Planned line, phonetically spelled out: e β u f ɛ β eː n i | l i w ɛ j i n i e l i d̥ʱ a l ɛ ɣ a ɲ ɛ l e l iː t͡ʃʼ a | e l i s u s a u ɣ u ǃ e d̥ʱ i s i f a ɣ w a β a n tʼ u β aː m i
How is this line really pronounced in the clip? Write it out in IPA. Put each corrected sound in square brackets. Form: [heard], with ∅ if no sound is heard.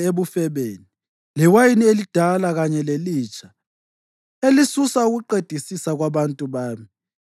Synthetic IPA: e β u f ɛ β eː n i | l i w [a] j i n i e l i d̥ʱ a l [a] ɣ a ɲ ɛ l e l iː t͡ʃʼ a | e l i s u s a u ɣ u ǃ e d̥ʱ i s i [s] a ɣ w a β a n tʼ u β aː m i